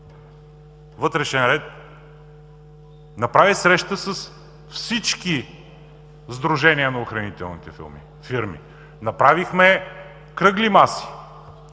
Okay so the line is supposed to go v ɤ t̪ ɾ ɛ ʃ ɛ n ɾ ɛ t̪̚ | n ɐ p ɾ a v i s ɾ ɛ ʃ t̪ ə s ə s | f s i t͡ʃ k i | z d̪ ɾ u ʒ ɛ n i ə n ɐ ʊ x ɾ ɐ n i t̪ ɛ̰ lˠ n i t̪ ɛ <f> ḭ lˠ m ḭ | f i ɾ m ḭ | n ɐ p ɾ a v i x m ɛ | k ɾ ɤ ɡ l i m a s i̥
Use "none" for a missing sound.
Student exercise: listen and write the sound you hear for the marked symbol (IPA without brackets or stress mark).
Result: f